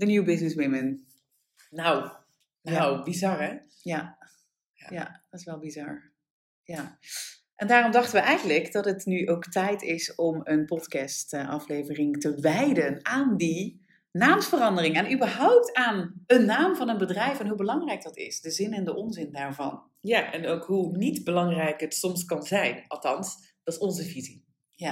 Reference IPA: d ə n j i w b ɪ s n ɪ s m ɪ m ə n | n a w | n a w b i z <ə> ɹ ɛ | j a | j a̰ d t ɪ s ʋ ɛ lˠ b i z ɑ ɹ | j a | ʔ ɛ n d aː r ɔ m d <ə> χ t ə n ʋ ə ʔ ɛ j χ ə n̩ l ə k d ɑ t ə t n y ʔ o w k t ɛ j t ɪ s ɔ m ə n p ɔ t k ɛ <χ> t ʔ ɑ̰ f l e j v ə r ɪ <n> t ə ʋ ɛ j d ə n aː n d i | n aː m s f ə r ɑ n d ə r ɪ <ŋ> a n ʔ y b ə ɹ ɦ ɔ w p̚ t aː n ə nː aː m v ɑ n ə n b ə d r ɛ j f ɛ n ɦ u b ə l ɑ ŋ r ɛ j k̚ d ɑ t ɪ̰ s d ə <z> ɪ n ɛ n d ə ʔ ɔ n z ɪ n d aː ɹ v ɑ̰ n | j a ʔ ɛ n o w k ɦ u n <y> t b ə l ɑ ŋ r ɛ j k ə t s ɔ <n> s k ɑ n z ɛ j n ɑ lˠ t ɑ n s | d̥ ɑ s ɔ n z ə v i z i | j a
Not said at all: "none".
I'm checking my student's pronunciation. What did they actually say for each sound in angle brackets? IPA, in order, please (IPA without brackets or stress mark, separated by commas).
ɑ, ɑ, s, ŋ, ŋ, z, i, m